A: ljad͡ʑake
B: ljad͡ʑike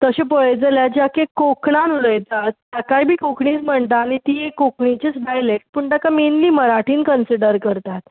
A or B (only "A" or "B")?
A